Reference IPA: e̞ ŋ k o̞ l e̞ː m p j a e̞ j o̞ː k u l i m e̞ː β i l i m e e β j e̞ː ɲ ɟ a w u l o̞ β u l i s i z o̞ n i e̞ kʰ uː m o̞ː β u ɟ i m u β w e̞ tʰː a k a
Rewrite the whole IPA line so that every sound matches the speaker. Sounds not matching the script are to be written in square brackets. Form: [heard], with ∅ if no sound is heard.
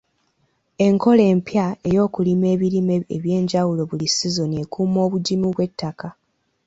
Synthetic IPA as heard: e̞ ŋ k o̞ l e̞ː m p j a e̞ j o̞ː k u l i m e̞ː β i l i m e e β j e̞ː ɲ ɟ a w u l o̞ β u l i s i z o̞ n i e̞ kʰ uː m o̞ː β u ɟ i m u β w e̞ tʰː a k a

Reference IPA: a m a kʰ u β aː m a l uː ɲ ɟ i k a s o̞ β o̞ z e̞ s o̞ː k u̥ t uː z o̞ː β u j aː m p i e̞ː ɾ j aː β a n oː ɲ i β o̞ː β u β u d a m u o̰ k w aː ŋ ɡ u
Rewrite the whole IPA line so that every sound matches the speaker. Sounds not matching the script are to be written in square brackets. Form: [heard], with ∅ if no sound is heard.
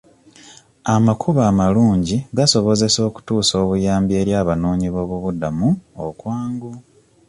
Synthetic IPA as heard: a m a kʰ u β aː m a l uː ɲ ɟ i [ɡ] a s o̞ β o̞ z e̞ s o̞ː k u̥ t uː [s] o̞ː β u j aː m [b] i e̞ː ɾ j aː β a n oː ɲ i β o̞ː β u β u d a m u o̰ k w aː ŋ ɡ u

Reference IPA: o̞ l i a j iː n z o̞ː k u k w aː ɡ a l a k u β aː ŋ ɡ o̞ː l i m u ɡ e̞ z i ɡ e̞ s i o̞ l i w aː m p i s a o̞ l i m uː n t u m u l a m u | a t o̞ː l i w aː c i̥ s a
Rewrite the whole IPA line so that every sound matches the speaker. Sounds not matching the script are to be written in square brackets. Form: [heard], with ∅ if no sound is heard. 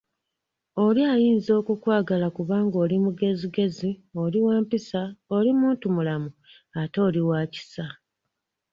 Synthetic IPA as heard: o̞ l i a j iː n z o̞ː k u k w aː ɡ a l a k u β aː ŋ ɡ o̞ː l i m u ɡ e̞ z i ɡ e̞ [z] i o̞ l i w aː m p i s a o̞ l i m uː n t u m u l a m u | a t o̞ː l i w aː c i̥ s a

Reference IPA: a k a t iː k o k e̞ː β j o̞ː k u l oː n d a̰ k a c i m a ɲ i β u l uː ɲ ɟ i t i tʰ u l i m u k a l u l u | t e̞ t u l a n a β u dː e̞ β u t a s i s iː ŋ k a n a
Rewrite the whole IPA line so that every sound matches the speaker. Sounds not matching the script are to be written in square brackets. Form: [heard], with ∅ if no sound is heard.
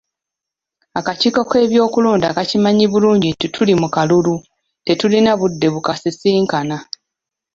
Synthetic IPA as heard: a k a [c] iː k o k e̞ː β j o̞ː k u l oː n d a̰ k a c i m a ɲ i β u l uː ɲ ɟ i t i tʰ u l i m u k a l u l u | t e̞ t u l [i] n a β u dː e̞ β u [k] a s i s iː ŋ k a n a

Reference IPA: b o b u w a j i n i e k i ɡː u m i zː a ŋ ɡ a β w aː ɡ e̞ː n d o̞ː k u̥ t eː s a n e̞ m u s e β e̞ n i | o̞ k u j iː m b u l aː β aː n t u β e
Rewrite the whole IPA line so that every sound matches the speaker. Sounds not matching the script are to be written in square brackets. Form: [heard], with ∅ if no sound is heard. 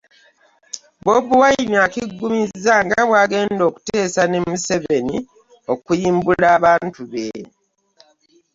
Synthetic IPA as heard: b o b u w a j i n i [a] k i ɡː u m i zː a ŋ ɡ a β w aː ɡ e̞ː n d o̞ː k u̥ t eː s a n e̞ m u s e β e̞ n i | o̞ k u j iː m b u l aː β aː n t u β e

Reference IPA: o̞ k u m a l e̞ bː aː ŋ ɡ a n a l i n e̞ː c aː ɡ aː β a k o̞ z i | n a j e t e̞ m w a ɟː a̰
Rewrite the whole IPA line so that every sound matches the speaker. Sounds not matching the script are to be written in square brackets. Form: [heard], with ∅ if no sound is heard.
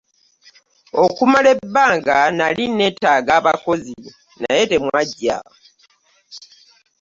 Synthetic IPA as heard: o̞ k u m a l e̞ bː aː ŋ ɡ a n a l i n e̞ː [t] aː ɡ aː β a k o̞ z i | n a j e t e̞ m w a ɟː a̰

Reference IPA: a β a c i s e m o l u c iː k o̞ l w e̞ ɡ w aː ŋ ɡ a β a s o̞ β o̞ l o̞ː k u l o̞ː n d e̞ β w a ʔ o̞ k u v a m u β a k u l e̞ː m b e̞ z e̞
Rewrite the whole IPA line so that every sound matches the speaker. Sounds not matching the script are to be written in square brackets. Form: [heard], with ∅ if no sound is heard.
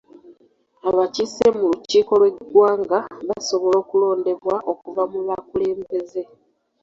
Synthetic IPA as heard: a β a c i s e m [u] l u c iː k o̞ l w e̞ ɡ w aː ŋ ɡ a β a s o̞ β o̞ l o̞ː k u l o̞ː n d e̞ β w a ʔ o̞ k u v a m u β a k u l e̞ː m b e̞ z e̞

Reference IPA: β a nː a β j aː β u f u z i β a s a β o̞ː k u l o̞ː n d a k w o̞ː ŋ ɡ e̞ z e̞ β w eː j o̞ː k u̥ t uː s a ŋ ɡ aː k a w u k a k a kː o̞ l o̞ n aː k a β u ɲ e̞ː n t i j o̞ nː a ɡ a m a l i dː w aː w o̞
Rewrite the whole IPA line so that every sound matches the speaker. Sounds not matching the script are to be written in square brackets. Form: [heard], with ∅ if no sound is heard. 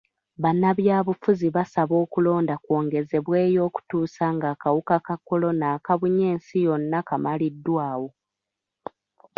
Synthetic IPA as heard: β a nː a β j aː β u f u z i β a s a β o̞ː k u l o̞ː n d a k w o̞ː ŋ ɡ e̞ z e̞ β w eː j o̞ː k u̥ t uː s a ŋ ɡ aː k a w u k a k a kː o̞ l o̞ n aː k a β u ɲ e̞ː n [s] i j o̞ nː a [k] a m a l i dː w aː w o̞

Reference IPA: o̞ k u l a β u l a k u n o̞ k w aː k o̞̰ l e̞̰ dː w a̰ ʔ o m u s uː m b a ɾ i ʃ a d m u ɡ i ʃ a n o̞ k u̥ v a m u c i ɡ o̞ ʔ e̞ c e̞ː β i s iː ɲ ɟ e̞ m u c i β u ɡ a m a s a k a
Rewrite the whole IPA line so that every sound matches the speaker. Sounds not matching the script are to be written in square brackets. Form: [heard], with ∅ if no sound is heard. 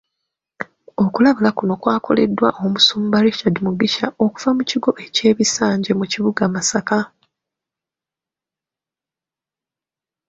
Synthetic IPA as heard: o̞ k u l a β u l a k u n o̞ k w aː k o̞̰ l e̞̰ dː w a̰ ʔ o m u s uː m b a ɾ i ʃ a d m u ɡ i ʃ a [∅] o̞ k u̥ v a m u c i ɡ o̞ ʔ e̞ c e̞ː β i s [aː] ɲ ɟ e̞ m u c i β u ɡ a m a s a k a

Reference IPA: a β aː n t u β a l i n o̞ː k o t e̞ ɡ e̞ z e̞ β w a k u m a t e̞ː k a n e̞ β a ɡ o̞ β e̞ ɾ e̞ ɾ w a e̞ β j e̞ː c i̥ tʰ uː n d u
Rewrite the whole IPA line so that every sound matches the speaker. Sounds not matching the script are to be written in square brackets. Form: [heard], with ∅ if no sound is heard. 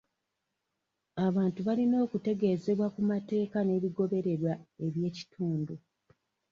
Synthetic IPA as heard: a β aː n t u β a l i n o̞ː k [u] t e̞ ɡ e̞ z e̞ β w a k u m a t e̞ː k a n e̞ β [i] ɡ o̞ β e̞ ɾ e̞ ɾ w a e̞ β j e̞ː c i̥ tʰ uː n d u

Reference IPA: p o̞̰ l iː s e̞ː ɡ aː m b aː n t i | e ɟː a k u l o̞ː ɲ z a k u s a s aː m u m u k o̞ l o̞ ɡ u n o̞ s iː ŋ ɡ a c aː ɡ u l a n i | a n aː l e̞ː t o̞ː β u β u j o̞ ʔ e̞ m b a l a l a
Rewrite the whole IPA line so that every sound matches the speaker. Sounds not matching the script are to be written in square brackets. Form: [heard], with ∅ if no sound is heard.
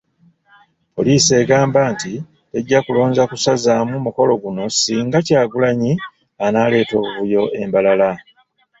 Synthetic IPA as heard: p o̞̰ l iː s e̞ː ɡ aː m b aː n t i | e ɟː a k u l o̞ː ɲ z a k u s a [z] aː m u m u k o̞ l o̞ ɡ u n o̞ s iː ŋ ɡ a c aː ɡ u l a [ɲ] i | a n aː l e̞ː t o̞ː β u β u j o̞ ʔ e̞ m b a l a l a

